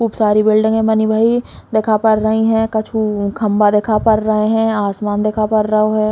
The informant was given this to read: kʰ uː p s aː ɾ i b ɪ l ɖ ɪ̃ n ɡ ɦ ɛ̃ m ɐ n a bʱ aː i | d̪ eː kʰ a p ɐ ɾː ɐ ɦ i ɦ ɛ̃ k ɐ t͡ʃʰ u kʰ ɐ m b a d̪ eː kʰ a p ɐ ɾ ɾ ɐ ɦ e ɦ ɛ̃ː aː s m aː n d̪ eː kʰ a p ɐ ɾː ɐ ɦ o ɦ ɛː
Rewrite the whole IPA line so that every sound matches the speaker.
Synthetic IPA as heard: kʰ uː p s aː ɾ i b ɪ l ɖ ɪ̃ ŋ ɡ ɦ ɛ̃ m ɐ n i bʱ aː i | d̪ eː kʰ a p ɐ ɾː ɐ ɦ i ɦ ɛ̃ k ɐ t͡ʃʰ u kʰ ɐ m b a d̪ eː kʰ a p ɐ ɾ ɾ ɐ ɦ e ɦ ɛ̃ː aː s m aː n d̪ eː kʰ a p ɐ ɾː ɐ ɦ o ɦ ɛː